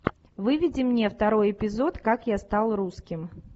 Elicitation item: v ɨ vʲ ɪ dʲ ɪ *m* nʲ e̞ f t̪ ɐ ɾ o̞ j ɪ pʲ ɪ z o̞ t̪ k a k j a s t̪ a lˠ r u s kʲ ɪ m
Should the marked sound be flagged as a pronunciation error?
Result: no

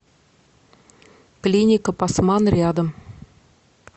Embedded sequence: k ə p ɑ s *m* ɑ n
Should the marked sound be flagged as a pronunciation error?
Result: no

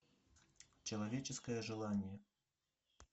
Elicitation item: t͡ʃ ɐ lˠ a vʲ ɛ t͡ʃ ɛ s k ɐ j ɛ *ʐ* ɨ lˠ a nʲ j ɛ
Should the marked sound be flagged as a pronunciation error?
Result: no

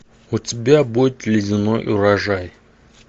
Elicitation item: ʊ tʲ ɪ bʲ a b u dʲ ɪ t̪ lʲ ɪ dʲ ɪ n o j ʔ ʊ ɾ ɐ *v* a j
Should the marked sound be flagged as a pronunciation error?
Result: yes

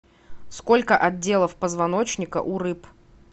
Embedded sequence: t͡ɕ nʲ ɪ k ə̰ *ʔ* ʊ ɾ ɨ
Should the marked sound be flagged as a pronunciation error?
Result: no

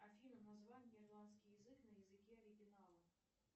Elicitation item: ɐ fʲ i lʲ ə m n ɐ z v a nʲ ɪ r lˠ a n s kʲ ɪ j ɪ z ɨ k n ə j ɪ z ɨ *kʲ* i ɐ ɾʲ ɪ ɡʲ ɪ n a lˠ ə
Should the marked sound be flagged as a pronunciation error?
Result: no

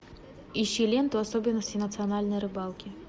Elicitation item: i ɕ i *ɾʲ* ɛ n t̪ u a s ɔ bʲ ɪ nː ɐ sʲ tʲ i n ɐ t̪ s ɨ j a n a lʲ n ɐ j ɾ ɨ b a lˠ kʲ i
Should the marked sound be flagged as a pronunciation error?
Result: yes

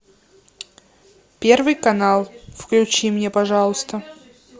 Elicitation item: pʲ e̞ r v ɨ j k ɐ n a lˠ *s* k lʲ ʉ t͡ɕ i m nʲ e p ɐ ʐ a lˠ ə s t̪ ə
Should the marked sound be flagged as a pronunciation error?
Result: yes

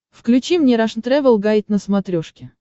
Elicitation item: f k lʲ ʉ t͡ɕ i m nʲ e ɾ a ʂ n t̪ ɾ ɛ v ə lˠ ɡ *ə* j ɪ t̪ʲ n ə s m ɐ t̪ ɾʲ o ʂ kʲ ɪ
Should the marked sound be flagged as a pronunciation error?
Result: yes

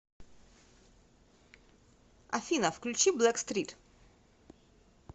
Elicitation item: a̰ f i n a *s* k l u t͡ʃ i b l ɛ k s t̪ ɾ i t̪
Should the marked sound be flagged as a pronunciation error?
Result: yes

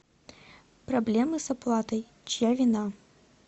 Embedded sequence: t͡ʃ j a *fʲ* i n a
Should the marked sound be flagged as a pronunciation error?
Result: yes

